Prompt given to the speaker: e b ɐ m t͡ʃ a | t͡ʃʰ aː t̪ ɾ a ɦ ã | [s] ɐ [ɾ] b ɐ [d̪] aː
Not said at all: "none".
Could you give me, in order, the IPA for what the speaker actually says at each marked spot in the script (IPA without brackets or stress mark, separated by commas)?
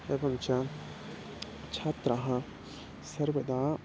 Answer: s, ɾ, d̪